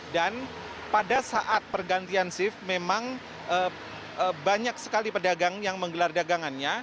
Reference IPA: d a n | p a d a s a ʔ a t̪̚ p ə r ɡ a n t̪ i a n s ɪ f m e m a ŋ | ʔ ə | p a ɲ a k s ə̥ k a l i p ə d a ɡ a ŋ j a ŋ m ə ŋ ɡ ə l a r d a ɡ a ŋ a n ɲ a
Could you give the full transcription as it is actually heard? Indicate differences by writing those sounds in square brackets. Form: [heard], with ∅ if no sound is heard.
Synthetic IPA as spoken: d a n | p a d a s a ʔ a t̪̚ p ə r ɡ a n t̪ i a n s ɪ f m e m a ŋ | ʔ ə | [b] a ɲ a k s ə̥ k a l i p ə d a ɡ a ŋ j a ŋ m ə ŋ ɡ ə l a r d a ɡ a ŋ a n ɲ a